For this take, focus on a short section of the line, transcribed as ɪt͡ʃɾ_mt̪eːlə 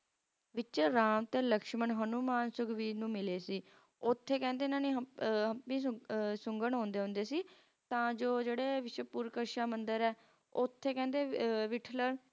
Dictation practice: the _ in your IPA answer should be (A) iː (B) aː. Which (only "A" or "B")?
B